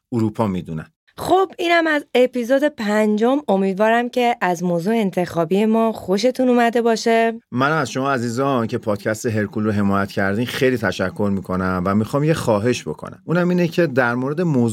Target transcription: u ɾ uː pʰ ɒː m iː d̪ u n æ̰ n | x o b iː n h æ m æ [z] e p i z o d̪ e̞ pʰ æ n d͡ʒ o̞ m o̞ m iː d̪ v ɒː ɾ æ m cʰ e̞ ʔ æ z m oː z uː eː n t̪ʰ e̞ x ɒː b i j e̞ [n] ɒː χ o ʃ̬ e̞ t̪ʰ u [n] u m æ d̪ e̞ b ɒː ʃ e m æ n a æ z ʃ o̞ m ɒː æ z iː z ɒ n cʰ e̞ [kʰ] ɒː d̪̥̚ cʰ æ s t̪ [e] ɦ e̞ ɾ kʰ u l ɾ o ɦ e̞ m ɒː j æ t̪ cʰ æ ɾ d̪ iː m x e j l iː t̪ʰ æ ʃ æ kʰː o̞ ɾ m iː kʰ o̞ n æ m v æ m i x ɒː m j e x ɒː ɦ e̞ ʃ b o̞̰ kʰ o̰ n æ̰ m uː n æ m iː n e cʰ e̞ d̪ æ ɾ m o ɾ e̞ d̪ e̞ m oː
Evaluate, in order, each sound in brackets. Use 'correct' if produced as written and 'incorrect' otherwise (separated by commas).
correct, incorrect, correct, incorrect, correct